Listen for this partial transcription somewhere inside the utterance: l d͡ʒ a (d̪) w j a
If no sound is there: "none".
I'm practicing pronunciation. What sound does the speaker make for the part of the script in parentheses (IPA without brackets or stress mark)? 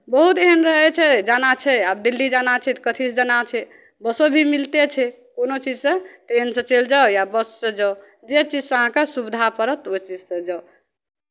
none